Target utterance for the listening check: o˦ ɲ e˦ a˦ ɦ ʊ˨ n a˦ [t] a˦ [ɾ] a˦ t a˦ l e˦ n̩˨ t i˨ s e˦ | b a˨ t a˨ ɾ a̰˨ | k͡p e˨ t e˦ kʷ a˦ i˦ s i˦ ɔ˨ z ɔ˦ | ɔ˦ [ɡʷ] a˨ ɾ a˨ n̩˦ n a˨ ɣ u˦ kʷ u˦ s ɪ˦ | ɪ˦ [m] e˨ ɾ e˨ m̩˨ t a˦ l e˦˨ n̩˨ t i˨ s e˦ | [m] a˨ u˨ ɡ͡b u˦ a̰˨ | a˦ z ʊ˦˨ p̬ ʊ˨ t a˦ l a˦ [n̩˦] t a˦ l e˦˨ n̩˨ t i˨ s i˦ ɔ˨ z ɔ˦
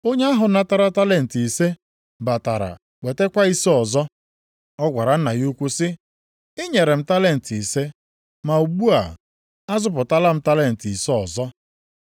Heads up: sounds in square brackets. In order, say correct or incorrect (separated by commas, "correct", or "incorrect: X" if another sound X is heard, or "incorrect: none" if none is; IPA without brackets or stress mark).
correct, correct, correct, incorrect: ɲ, correct, incorrect: m̩˦